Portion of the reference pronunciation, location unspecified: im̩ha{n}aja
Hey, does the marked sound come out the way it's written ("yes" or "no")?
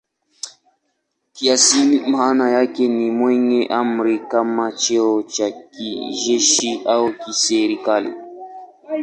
yes